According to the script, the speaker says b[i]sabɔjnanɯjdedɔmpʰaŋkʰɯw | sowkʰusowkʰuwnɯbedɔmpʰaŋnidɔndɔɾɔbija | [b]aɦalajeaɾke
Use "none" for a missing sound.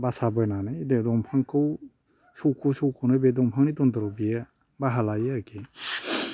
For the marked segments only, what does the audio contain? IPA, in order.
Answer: a, b

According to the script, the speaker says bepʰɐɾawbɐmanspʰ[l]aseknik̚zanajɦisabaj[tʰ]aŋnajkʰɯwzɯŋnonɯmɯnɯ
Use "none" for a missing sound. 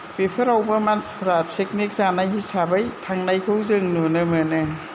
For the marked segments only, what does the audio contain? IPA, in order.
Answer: ɾ, tʰ

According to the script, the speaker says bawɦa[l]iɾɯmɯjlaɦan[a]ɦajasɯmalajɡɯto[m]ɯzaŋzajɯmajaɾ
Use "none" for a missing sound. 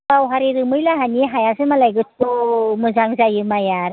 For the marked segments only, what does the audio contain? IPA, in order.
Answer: ɾ, i, m

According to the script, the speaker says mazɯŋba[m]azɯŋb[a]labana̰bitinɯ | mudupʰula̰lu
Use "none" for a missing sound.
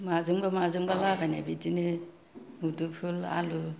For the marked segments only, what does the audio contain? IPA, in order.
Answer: m, a

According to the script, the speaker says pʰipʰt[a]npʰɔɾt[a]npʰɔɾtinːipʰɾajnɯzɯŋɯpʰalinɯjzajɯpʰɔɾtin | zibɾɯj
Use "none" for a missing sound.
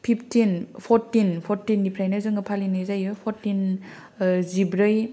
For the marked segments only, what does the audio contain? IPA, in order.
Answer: i, i

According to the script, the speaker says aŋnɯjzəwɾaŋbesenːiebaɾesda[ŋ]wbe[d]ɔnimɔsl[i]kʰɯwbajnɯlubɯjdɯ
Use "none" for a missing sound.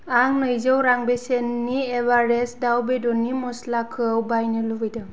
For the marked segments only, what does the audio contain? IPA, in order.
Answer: none, d, a

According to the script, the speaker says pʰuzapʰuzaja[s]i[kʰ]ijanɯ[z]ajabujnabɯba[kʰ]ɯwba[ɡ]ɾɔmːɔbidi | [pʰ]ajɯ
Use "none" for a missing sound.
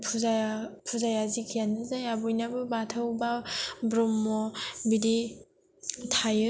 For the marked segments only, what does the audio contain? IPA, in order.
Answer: z, kʰ, z, tʰ, b, tʰ

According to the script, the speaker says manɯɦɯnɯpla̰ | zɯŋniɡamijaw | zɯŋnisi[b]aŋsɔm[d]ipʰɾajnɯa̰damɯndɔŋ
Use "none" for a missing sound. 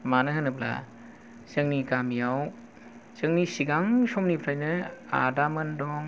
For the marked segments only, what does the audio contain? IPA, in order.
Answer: ɡ, n

